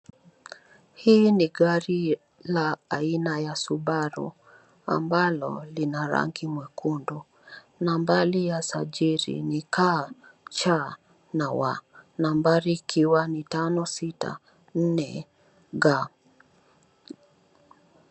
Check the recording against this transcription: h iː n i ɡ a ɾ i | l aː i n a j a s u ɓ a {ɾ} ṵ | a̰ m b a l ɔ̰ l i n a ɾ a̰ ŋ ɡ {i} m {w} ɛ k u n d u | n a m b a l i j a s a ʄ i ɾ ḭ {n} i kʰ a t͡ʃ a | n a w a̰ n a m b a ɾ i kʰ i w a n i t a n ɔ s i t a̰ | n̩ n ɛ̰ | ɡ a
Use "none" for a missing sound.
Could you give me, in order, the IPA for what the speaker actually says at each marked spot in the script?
ɾ, i, w, n

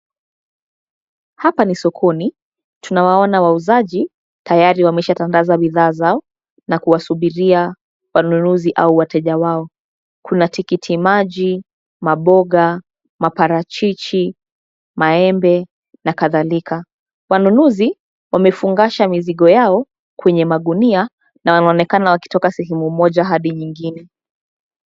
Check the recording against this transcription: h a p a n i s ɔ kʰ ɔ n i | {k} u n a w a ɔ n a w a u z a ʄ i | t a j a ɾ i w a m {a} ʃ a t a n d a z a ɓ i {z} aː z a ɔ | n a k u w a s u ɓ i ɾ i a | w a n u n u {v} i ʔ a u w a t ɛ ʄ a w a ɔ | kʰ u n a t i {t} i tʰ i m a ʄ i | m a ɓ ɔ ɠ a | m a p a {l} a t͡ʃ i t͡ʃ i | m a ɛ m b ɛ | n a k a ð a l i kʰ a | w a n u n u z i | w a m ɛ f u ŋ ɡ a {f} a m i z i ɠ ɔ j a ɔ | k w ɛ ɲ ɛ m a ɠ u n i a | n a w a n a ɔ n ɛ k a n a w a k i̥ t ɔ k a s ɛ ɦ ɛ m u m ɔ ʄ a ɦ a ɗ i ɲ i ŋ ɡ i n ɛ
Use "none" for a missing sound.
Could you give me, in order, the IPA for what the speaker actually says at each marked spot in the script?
t, ɛ, ð, z, k, ɾ, ʃ

